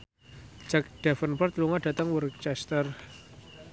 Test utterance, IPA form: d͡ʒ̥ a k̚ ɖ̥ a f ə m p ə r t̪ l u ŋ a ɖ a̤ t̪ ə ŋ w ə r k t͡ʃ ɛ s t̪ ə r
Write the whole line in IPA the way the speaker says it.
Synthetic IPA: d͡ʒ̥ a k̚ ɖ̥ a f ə n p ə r t̪ l u ŋ a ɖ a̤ t̪ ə ŋ w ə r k t͡ʃ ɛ s t̪ ə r